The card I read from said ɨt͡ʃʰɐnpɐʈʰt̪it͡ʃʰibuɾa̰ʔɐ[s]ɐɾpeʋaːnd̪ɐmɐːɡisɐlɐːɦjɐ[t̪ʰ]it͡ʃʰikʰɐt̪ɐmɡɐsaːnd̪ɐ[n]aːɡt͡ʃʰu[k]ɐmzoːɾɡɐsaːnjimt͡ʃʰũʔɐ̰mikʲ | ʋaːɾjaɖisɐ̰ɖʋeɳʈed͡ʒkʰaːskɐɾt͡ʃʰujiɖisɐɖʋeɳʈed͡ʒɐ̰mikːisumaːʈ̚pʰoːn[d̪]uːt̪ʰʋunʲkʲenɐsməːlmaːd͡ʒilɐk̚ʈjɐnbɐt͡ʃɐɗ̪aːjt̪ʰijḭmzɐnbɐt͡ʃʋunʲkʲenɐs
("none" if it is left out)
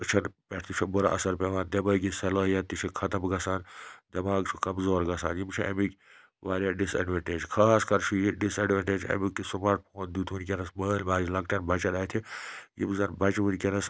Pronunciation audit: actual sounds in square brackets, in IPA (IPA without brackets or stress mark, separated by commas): s, t̪, m, k, d̪